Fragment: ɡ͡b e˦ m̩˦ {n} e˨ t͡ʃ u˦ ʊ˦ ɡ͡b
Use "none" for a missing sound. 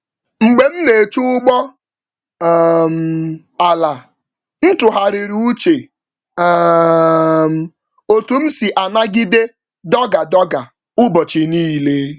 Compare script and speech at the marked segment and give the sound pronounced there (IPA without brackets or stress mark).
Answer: n